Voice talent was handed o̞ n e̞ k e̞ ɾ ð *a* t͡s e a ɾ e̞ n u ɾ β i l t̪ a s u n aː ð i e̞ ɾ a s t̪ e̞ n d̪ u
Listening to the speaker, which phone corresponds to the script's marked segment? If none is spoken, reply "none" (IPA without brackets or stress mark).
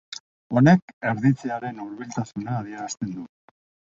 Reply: i